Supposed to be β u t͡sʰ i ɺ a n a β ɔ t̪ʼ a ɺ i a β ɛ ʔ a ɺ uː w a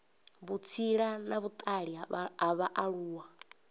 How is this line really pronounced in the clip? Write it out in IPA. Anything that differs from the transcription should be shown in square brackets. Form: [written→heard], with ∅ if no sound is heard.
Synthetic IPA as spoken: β u t͡sʰ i ɺ a n a β [ɔ→u] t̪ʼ a ɺ i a β [ɛ→a] ʔ a ɺ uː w a